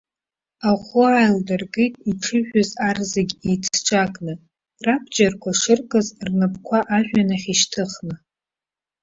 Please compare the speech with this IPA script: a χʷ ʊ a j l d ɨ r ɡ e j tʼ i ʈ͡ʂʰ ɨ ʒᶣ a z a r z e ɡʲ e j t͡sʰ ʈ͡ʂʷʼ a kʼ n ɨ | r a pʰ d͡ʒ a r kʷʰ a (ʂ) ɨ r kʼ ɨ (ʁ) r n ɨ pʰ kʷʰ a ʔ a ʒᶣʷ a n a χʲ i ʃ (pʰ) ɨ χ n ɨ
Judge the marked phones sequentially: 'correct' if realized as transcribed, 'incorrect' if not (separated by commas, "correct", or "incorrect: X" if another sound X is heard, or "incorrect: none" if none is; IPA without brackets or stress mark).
correct, incorrect: z, incorrect: tʰ